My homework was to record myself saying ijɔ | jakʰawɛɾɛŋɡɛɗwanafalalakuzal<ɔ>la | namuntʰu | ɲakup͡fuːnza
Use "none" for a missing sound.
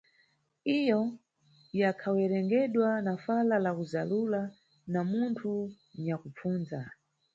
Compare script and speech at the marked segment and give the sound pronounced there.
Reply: u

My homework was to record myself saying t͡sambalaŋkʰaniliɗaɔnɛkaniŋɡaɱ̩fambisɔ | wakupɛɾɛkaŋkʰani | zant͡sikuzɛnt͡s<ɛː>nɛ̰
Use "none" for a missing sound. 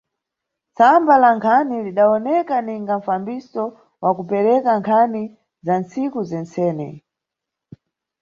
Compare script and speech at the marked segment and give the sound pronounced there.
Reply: ɛː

